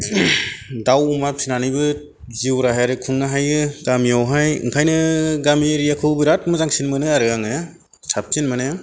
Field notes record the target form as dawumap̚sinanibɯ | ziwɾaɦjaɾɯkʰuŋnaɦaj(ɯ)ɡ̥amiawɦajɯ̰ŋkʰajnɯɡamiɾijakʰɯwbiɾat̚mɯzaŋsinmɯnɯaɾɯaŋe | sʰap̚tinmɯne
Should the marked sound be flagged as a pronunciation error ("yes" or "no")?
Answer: no